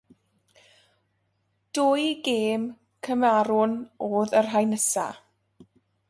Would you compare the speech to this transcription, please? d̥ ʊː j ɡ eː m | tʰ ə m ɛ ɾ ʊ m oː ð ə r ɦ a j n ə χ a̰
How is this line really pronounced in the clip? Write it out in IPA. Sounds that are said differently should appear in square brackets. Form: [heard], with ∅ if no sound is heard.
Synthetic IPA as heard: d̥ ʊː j ɡ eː m | [kʰ] ə m [a] ɾ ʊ [n] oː ð ə r ɦ a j n ə [s] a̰